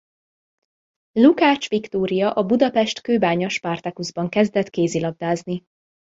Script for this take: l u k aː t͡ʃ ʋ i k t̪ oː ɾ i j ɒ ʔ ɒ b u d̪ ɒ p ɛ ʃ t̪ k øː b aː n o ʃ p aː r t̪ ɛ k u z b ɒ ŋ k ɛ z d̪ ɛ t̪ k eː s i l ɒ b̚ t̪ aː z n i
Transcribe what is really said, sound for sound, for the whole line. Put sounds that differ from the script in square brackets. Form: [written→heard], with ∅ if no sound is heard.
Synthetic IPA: l u k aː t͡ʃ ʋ i k t̪ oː ɾ i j ɒ ʔ ɒ b u d̪ ɒ p ɛ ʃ t̪ k øː b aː [n→ɲ] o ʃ p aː r t̪ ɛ k u z b ɒ ŋ k ɛ z d̪ ɛ t̪ k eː [s→z] i l ɒ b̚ [t̪→d̪] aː z n i